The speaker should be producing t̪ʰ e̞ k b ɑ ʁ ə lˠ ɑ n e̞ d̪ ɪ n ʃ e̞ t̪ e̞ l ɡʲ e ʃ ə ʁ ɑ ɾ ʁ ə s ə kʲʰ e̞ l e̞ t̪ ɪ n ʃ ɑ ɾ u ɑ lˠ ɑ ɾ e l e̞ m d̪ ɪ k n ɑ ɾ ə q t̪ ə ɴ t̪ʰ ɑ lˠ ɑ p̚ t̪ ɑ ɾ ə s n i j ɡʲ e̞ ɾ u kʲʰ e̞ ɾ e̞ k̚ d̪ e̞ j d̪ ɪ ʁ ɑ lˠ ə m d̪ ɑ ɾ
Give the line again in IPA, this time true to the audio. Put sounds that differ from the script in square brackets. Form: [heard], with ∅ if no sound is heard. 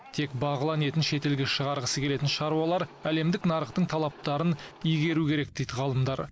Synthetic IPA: t̪ʰ e̞ k b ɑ ʁ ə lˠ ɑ n e̞ [t̪] ɪ n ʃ e̞ t̪ e̞ l ɡʲ e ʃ ə ʁ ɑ ɾ ʁ ə s ə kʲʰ e̞ l e̞ t̪ ɪ n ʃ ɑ ɾ u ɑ lˠ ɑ ɾ [æ] l e̞ m d̪ ɪ k n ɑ ɾ ə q t̪ ə ɴ t̪ʰ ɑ lˠ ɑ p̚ t̪ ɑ ɾ ə [∅] n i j ɡʲ e̞ ɾ u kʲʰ e̞ ɾ e̞ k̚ d̪ e̞ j d̪ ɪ ʁ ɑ lˠ ə m d̪ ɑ ɾ